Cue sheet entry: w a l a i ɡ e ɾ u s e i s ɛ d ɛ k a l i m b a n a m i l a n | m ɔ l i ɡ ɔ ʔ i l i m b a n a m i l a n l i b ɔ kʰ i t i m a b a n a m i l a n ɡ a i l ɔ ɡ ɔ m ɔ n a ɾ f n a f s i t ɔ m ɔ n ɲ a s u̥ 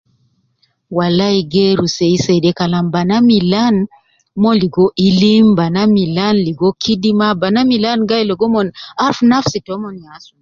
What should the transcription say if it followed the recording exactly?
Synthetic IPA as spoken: w a l a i ɡ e ɾ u s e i s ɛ d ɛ k a l a m b a n a m i l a n | m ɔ l i ɡ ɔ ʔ i l i m b a n a m i l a n l i ɡ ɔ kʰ i d i m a b a n a m i l a n ɡ a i l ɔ ɡ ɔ m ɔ n a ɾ f n a f s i t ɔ m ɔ n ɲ a s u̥